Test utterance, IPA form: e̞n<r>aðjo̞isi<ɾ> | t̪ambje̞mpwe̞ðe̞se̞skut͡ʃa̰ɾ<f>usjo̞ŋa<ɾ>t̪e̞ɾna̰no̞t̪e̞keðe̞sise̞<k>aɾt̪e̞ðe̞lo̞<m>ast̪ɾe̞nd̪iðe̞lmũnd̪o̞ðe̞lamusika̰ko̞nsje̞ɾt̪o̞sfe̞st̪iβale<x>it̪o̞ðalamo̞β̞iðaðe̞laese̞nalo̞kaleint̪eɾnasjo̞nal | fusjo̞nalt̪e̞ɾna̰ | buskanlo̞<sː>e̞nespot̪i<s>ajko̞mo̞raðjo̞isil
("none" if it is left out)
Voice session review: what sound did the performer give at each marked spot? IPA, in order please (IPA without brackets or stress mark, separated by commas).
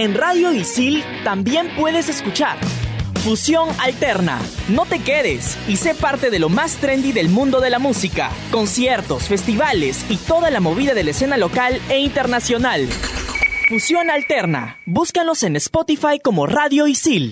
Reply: r, l, f, l, p, m, s, s, f